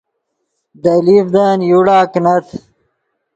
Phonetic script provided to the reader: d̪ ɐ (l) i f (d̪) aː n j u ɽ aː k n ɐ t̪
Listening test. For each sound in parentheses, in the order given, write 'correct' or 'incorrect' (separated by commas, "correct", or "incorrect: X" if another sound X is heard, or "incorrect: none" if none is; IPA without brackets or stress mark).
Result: correct, correct